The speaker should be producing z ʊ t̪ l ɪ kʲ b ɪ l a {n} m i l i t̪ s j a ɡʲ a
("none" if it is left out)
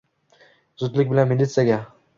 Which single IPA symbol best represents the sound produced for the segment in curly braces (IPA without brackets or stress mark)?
n